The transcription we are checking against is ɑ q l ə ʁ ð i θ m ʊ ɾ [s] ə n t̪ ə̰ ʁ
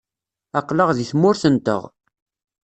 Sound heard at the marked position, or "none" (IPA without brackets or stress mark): θ